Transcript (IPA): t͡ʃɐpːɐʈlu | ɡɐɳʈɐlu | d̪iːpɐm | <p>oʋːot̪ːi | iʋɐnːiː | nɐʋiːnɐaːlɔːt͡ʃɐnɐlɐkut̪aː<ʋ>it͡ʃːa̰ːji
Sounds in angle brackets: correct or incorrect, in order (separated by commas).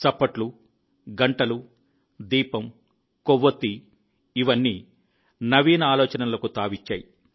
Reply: incorrect, correct